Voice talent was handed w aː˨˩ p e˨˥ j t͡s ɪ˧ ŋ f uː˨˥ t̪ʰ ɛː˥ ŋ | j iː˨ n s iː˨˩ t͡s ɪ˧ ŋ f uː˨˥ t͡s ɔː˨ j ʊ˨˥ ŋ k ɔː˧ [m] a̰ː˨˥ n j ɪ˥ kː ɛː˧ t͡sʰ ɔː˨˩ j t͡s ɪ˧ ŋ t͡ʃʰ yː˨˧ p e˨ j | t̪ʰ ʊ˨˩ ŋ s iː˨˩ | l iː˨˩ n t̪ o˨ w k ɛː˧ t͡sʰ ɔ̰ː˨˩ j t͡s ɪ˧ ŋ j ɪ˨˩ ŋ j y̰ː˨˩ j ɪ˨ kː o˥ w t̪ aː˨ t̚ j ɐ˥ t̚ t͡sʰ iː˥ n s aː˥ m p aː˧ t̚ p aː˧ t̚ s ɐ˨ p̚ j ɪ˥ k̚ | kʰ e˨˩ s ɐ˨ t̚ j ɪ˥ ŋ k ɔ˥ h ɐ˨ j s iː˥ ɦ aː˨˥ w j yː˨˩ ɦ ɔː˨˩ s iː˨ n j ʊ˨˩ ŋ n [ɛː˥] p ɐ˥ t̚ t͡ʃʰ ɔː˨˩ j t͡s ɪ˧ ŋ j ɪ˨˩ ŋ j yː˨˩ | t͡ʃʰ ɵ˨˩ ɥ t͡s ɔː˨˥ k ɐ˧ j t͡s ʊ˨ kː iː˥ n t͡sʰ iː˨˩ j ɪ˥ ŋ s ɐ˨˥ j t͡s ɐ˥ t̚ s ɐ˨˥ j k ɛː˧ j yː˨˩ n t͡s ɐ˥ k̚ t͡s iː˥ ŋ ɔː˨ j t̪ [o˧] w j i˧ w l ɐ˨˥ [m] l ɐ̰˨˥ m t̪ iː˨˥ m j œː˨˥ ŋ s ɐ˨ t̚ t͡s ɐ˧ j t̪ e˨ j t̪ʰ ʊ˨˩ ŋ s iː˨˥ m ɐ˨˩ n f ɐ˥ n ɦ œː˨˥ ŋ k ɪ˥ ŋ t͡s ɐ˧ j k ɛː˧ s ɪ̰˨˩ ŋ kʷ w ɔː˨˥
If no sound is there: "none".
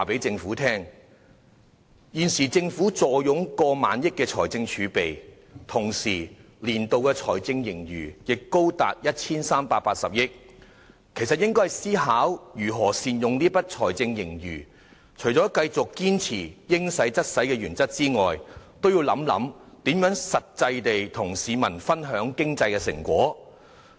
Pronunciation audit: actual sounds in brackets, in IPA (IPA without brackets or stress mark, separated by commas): m, iː˥, o˥, m